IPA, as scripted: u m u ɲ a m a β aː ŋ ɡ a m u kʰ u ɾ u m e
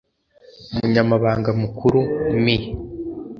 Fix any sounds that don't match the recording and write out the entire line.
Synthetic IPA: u m u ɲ a m a β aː ŋ ɡ a m u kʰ u ɾ u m i